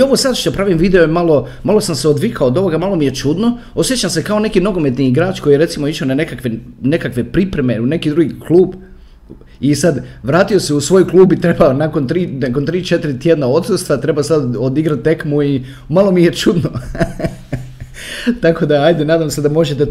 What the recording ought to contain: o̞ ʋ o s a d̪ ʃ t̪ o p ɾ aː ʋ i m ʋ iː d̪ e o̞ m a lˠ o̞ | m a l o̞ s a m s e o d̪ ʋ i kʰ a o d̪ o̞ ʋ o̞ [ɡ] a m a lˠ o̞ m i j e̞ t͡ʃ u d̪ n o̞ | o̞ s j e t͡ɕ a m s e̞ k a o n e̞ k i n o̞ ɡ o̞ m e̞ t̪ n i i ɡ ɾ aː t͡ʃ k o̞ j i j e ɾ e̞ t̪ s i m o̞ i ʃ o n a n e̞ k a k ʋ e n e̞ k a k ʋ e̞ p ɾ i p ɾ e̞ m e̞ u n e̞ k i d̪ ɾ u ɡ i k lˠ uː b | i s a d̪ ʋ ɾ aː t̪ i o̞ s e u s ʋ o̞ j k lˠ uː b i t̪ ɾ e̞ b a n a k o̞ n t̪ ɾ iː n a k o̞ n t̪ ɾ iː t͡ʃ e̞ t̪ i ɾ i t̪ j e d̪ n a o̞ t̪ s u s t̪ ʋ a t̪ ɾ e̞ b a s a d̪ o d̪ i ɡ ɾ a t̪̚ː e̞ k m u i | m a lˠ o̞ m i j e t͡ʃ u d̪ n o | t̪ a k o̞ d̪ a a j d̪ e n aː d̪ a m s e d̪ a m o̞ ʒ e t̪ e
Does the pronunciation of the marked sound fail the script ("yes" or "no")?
no